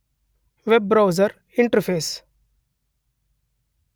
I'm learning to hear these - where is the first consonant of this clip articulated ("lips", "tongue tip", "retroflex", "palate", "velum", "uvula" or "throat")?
lips